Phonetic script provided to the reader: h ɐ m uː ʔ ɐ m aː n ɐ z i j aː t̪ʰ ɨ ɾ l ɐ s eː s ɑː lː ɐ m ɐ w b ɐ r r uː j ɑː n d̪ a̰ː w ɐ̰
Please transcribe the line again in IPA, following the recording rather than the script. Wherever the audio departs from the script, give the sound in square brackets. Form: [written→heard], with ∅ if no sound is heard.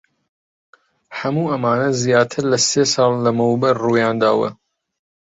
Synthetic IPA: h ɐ m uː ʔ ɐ m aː n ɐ z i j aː t̪ʰ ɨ ɾ l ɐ s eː s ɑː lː ɐ m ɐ w b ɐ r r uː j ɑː n d̪ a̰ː w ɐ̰